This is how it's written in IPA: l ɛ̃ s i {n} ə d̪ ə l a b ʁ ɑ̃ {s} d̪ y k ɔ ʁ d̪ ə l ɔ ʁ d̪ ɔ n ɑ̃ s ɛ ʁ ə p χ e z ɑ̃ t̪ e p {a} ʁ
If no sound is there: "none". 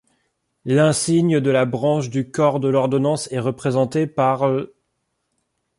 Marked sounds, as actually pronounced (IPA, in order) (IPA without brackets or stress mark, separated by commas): ɲ, ʃ, a